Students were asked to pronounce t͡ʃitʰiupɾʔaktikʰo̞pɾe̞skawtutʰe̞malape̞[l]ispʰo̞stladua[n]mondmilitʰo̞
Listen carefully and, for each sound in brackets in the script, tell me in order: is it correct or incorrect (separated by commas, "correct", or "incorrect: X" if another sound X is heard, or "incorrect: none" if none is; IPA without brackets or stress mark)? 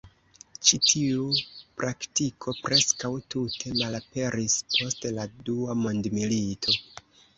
incorrect: ɾ, incorrect: none